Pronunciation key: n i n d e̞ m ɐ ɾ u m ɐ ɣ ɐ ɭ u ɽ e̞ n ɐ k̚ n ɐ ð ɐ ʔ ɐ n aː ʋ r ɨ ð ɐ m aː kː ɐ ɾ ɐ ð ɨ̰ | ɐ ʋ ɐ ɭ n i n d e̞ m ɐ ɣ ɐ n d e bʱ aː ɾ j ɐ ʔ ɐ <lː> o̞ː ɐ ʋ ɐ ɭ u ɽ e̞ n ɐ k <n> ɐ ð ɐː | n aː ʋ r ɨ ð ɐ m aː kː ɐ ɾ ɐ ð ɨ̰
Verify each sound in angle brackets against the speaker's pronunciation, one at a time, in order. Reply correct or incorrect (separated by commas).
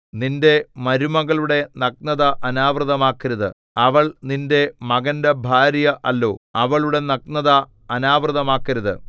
correct, correct